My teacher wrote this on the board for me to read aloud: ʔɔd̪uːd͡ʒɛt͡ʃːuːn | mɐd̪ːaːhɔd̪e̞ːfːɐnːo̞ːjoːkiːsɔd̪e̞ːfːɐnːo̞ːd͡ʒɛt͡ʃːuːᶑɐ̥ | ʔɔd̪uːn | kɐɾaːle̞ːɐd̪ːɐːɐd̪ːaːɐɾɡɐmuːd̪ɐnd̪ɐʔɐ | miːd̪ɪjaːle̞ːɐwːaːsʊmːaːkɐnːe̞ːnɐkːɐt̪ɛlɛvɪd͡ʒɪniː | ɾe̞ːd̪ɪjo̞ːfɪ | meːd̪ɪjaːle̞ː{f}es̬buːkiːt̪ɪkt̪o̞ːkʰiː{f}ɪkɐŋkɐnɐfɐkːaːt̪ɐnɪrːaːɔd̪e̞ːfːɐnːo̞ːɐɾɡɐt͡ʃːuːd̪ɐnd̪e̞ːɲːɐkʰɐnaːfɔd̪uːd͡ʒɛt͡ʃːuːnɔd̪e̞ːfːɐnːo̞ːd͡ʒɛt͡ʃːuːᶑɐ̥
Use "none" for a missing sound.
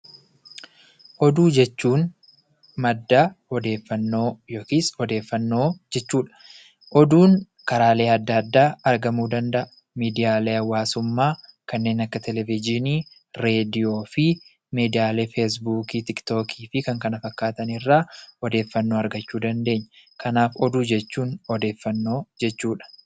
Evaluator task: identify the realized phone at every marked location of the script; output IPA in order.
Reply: f, f

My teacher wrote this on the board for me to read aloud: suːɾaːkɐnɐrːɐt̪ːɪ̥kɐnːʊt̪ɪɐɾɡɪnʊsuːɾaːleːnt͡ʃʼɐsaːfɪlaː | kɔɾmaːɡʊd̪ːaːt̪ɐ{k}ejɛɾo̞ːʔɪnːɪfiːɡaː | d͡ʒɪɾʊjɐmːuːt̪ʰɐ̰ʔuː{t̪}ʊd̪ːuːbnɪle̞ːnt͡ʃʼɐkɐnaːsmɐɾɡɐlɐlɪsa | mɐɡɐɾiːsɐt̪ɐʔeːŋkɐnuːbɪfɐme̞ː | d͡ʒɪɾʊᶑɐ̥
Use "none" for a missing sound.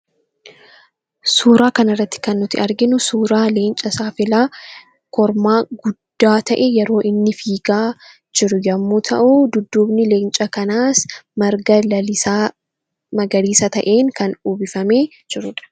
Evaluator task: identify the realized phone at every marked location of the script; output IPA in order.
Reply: ʔ, d̪

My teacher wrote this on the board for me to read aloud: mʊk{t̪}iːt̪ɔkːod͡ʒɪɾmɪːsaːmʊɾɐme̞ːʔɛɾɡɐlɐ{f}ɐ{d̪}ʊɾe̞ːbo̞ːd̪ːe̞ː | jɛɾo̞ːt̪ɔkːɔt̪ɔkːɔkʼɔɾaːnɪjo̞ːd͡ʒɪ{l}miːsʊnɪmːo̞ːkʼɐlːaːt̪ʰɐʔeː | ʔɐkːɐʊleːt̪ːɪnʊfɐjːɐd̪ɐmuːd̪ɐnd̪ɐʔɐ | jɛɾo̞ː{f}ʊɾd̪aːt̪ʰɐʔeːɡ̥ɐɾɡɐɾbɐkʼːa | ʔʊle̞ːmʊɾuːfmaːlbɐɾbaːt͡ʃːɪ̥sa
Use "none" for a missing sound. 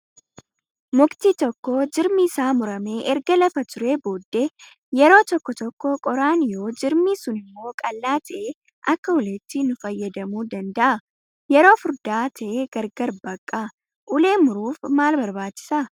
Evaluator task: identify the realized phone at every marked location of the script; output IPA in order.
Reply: t̪, f, t̪, ɾ, f

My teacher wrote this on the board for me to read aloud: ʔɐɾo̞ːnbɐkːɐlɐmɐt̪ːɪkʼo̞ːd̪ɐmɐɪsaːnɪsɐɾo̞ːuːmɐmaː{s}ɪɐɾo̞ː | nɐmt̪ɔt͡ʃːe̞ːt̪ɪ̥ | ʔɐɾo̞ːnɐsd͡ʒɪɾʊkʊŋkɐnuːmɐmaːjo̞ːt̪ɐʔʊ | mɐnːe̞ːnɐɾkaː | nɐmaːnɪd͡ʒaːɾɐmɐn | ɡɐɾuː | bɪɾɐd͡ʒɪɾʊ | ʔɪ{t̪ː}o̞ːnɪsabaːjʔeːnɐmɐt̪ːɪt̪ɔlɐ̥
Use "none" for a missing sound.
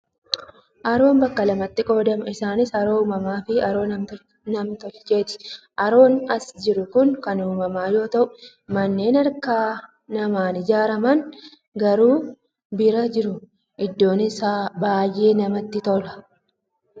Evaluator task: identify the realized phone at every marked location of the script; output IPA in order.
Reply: f, d̪ː

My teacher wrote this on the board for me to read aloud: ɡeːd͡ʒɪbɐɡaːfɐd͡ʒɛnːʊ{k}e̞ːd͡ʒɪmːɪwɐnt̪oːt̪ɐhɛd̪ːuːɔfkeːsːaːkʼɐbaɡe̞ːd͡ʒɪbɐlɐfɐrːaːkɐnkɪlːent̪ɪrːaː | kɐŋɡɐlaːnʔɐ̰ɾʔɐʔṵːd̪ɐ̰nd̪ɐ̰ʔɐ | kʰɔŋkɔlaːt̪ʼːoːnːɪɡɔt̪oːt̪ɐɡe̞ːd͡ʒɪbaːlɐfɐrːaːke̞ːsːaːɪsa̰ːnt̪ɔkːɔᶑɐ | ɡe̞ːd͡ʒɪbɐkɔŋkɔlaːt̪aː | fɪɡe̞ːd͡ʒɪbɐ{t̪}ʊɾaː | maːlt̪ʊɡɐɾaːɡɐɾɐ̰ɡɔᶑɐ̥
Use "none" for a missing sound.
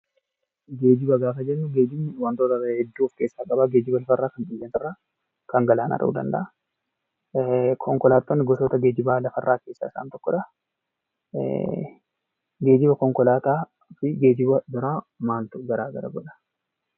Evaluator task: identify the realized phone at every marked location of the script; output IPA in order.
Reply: ɡ, d̪

